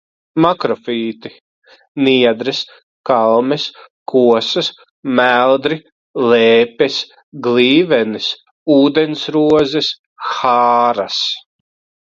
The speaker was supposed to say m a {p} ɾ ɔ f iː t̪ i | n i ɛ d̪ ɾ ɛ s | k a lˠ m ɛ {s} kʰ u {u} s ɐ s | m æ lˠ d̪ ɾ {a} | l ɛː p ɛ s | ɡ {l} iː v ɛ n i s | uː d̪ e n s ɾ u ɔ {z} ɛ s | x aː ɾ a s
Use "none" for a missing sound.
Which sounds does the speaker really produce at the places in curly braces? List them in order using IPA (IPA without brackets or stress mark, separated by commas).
k, s, ɔ, i, l, z